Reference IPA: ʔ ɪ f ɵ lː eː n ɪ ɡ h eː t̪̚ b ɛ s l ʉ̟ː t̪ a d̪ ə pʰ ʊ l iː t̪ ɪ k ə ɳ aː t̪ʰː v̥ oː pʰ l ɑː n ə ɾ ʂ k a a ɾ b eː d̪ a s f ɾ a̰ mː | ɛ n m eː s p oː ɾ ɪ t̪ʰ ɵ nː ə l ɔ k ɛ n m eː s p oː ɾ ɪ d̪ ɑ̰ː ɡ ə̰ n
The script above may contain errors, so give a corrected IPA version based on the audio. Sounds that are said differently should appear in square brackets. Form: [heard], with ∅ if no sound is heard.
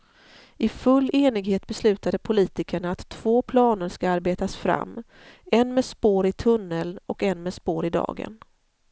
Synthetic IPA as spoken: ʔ ɪ f ɵ lː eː n ɪ ɡ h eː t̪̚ b ɛ s l ʉ̟ː t̪ a d̪ ə pʰ ʊ l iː t̪ ɪ k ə ɳ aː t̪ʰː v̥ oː pʰ l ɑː n ə ɾ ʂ k a a ɾ b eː [t̪] a s f ɾ a̰ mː | ɛ n m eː s p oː ɾ ɪ t̪ʰ ɵ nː ə l ɔ k ɛ n m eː s p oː ɾ ɪ d̪ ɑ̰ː ɡ ə̰ n